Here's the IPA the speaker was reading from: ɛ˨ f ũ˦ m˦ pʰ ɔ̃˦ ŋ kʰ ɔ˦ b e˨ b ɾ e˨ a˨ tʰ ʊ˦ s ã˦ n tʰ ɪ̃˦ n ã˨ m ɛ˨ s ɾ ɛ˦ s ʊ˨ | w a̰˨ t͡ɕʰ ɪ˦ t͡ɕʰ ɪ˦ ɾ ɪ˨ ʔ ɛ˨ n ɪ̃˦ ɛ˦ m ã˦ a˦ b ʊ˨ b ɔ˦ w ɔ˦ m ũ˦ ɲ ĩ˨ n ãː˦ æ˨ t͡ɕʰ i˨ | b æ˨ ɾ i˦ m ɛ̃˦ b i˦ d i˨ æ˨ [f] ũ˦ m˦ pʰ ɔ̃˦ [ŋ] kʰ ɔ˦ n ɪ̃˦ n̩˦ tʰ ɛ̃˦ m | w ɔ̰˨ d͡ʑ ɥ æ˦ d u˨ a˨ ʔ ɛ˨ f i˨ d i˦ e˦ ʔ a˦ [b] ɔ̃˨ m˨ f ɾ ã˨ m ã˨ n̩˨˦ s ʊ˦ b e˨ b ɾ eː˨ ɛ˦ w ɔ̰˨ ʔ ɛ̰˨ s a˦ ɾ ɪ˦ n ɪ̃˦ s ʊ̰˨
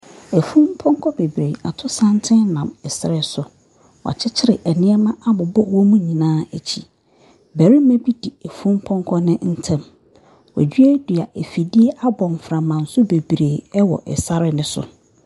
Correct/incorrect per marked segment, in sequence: correct, correct, correct

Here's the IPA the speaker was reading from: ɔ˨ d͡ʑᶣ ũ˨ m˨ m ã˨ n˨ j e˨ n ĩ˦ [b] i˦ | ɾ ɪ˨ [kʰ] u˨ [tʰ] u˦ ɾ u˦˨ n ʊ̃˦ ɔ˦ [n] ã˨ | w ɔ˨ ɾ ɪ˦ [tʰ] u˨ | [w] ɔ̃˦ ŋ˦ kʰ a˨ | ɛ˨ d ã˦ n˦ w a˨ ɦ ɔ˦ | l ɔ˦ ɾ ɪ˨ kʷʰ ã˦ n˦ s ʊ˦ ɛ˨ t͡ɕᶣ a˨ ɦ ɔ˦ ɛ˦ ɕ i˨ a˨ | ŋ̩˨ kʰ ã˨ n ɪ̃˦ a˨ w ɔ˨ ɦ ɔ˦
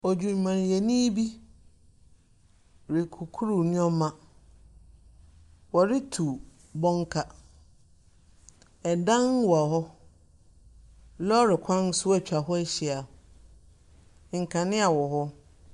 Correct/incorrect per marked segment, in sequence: correct, correct, incorrect, incorrect, correct, incorrect

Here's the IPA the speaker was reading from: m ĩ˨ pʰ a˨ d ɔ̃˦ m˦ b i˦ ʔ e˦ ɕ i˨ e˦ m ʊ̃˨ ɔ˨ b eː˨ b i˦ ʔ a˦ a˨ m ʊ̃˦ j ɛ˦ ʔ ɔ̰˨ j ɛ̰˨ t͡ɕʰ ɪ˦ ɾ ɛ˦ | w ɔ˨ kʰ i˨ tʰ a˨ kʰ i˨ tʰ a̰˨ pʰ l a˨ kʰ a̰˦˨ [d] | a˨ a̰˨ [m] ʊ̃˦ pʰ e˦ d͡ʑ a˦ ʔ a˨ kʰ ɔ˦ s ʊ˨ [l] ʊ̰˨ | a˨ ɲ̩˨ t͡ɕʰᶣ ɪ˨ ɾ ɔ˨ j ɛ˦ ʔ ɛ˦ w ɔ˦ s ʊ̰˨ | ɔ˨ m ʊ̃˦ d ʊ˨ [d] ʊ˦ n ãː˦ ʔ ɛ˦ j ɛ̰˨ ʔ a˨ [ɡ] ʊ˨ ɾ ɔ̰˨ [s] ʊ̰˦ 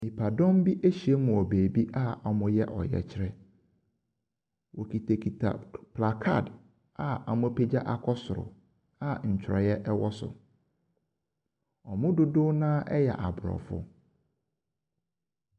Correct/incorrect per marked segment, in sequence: correct, correct, incorrect, correct, incorrect, incorrect

